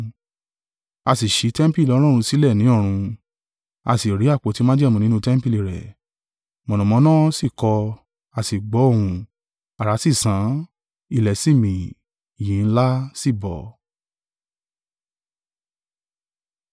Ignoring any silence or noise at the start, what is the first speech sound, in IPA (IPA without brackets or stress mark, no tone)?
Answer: a